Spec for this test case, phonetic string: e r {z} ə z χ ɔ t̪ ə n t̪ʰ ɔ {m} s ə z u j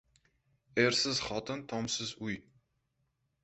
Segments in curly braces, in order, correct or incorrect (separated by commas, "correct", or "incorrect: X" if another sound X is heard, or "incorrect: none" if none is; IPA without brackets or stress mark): incorrect: s, correct